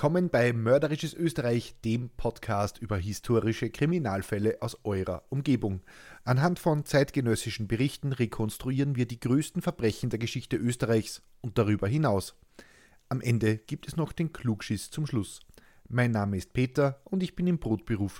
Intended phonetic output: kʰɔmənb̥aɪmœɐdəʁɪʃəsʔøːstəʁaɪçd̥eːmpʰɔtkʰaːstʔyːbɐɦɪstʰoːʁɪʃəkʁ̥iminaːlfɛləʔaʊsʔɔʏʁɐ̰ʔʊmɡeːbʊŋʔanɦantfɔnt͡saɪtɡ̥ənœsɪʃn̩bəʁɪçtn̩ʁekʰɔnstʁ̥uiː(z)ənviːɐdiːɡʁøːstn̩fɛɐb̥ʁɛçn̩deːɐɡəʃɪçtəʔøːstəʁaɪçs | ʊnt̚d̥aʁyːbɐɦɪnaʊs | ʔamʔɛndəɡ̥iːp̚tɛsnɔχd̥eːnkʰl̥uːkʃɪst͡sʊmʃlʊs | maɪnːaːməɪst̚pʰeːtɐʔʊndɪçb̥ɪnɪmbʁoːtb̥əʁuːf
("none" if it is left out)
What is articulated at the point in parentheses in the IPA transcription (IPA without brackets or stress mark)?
ʁ